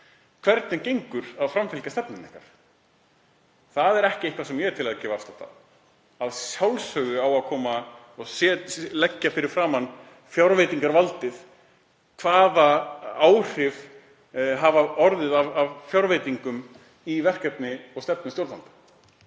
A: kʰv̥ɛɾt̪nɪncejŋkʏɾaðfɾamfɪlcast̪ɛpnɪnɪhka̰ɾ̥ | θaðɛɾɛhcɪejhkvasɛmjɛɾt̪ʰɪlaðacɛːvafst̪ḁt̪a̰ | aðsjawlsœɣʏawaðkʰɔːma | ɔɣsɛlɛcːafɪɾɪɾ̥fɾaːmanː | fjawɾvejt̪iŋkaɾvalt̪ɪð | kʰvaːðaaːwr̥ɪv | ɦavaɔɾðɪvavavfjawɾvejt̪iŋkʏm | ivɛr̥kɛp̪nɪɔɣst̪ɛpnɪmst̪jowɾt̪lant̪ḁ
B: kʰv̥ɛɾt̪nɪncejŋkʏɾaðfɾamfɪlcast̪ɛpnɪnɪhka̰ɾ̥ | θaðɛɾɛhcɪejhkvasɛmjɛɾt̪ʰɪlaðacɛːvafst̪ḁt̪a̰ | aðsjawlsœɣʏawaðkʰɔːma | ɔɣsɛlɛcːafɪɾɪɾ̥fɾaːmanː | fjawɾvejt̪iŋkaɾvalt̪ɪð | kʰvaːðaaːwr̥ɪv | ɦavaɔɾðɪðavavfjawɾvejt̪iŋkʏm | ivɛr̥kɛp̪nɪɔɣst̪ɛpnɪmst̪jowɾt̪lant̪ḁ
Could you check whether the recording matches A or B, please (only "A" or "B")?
B